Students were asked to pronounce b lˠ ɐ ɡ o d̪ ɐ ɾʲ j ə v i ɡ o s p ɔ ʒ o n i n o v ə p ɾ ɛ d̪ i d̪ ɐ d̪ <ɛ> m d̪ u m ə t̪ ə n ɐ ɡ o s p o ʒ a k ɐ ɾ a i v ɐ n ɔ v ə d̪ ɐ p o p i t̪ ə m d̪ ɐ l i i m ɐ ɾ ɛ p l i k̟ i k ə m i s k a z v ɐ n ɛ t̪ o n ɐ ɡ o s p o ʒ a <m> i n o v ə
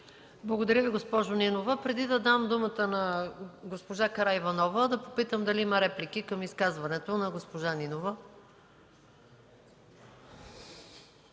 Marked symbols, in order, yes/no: no, no

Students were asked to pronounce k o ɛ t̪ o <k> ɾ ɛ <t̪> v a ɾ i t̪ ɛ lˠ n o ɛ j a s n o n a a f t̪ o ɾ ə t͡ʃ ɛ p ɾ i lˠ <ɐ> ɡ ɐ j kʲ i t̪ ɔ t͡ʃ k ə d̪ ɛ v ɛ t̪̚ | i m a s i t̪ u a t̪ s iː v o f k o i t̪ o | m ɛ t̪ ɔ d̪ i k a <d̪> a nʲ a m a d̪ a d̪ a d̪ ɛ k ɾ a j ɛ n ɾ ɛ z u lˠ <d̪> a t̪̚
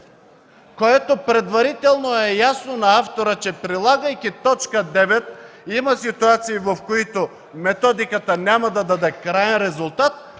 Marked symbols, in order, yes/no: no, no, no, no, no

